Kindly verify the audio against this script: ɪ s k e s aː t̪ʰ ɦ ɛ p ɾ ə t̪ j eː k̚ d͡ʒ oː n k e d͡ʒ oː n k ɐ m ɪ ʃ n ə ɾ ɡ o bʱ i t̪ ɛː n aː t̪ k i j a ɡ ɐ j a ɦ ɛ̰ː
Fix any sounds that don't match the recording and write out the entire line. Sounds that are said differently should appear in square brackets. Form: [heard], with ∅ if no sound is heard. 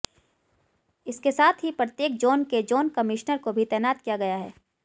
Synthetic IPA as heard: ɪ s k e s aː t̪ʰ ɦ [i] p ɾ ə t̪ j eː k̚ d͡ʒ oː n k e d͡ʒ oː n k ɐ m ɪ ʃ n ə ɾ [k] o bʱ i t̪ ɛː n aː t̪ k i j a ɡ ɐ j a ɦ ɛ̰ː

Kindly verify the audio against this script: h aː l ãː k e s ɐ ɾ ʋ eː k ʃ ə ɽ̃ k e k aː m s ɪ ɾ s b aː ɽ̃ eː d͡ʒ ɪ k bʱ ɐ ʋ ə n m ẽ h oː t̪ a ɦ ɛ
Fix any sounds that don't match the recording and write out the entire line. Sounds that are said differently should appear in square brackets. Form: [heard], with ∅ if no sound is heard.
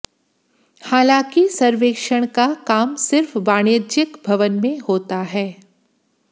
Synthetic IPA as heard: h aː l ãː k [i] s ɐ ɾ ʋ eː k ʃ ə ɽ̃ k [a] k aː m s ɪ ɾ [f] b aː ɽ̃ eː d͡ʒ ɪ k bʱ ɐ ʋ ə n m ẽ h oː t̪ a ɦ [ɛː]

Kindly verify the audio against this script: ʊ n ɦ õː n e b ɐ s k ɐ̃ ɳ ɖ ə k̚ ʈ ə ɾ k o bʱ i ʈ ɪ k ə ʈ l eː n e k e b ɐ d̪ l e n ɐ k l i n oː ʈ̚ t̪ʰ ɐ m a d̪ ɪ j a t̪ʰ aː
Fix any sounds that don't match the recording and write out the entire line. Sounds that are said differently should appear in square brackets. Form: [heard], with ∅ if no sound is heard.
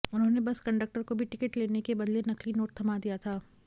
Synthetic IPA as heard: ʊ n ɦ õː n e b ɐ s k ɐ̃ ɳ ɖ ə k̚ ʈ ə ɾ k o bʱ i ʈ ɪ k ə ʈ l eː n e k e b ɐ d̪ l e n ɐ k l i n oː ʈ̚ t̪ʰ ɐ m a d̪ [i] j a t̪ʰ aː

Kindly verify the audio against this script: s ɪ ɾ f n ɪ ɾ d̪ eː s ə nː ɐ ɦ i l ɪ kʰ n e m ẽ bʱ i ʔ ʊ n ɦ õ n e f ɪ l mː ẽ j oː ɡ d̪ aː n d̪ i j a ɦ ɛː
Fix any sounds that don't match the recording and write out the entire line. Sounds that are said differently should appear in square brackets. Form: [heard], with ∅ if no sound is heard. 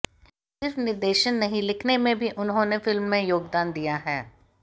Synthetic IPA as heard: s ɪ ɾ f n ɪ ɾ d̪ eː [ʃ] ə nː ɐ ɦ [ĩ] l ɪ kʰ n e m ẽ bʱ i ʔ ʊ n ɦ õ n e f ɪ l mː ẽ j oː ɡ d̪ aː n d̪ i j a ɦ ɛː

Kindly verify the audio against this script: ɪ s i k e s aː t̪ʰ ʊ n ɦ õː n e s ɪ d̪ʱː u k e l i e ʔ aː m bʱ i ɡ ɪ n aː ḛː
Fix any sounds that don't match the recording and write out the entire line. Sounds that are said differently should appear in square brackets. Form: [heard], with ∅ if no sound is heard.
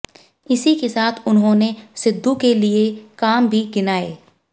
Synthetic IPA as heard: ɪ s i k e s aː t̪ʰ ʊ n ɦ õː n e s ɪ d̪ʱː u k e l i e [k] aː m bʱ i ɡ ɪ n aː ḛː

